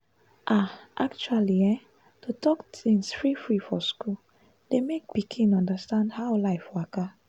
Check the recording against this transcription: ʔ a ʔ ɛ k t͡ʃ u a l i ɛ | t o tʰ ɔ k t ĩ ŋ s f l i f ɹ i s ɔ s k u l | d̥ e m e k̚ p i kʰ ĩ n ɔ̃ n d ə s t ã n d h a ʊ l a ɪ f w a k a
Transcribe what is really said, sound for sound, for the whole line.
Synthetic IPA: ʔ a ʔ a k t͡ʃ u a l i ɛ | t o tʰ ɔ k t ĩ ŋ s f ɹ i f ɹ i f ɔ s k u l | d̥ e m e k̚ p i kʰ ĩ n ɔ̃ n d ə s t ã n d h a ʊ l a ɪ f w a k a